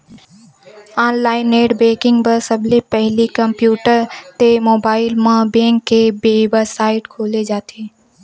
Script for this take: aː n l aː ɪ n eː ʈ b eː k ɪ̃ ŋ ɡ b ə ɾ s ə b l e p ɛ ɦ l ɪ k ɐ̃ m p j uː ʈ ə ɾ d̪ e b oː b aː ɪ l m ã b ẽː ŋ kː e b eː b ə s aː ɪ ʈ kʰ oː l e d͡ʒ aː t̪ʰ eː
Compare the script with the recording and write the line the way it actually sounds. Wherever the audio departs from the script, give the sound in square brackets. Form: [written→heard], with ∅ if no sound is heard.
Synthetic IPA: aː n l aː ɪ n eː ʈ b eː k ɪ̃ ŋ ɡ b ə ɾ s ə b l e p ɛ ɦ l [ɪ→i] k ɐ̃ m p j uː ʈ ə ɾ [d̪→t̪] e [b→m] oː b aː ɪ l m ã b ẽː ŋ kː e b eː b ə s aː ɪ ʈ kʰ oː l e d͡ʒ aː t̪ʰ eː